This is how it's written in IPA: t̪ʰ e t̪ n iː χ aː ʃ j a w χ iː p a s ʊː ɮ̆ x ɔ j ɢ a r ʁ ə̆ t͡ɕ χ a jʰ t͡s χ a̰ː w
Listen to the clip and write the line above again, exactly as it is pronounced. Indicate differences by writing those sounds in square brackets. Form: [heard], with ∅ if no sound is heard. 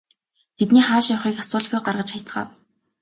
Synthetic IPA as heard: t̪ʰ e t̪ n iː χ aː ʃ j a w χ iː [k] a s ʊː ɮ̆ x [u] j ɢ a r ʁ ə̆ t͡ɕ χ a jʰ t͡s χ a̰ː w